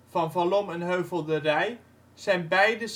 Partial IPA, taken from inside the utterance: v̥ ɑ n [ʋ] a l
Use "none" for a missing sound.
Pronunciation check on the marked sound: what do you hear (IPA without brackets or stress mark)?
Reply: v